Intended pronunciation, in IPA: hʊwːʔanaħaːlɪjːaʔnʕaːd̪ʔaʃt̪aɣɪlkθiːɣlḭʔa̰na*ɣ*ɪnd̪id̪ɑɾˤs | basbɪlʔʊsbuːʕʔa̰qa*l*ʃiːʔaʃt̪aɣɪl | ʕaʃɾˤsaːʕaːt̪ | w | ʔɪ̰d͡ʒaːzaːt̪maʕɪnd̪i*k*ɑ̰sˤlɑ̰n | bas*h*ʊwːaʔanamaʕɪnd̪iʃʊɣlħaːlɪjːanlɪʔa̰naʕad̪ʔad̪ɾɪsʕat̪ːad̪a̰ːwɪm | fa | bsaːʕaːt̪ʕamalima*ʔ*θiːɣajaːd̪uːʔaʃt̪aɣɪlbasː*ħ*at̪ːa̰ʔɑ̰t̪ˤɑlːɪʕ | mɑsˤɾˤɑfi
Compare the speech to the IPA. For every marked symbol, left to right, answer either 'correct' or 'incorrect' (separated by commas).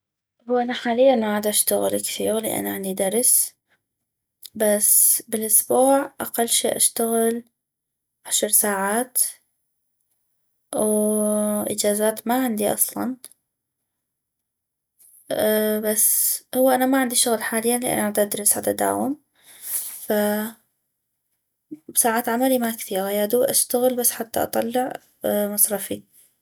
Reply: incorrect, incorrect, incorrect, correct, incorrect, correct